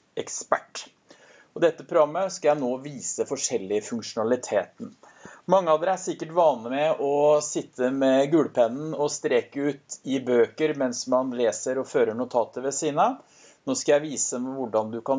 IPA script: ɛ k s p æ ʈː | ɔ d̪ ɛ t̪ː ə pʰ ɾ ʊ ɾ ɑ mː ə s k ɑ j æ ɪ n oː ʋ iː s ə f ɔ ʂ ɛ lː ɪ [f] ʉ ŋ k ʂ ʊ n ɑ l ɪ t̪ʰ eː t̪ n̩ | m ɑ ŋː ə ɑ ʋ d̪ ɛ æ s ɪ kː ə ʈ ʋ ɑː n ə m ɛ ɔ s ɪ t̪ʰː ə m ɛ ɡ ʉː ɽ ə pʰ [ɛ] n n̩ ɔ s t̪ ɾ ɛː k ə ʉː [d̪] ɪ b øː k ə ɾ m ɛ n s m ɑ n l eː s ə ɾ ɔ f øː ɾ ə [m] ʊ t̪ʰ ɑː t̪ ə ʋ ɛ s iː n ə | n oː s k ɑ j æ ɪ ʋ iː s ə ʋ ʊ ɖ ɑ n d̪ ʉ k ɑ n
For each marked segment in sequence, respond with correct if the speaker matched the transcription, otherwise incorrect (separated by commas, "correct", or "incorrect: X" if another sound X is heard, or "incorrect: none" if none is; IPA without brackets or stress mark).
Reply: correct, correct, incorrect: t̪, incorrect: ɳ